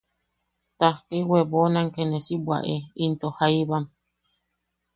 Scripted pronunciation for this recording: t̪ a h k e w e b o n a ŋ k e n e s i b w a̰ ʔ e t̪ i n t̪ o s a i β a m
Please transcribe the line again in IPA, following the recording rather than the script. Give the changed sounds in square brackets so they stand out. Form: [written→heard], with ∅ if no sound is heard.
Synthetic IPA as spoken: t̪ a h k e w e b o n a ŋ k e n e s i b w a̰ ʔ e [t̪→∅] i n t̪ o [s→h] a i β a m